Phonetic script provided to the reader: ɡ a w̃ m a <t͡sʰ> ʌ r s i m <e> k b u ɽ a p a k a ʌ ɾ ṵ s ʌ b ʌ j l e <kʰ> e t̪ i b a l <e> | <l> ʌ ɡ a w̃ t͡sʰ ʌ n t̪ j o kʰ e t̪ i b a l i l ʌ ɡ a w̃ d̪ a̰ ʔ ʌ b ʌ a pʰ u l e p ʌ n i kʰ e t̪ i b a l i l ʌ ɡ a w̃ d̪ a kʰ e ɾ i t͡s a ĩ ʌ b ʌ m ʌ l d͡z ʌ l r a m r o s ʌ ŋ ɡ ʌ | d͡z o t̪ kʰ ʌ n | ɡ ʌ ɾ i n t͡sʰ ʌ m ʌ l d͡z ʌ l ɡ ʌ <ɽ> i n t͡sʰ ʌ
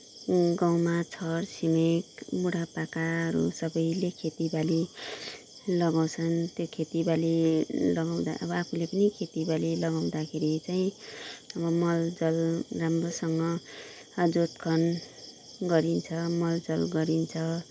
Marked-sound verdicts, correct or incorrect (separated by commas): correct, correct, correct, incorrect, correct, incorrect